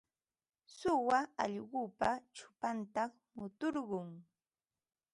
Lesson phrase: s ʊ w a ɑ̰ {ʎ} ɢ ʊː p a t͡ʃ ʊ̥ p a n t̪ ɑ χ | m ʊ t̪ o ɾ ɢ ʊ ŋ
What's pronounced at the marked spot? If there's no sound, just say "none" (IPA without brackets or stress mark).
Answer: ʎ